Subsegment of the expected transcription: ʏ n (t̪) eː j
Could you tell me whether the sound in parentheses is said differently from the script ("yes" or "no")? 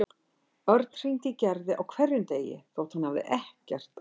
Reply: no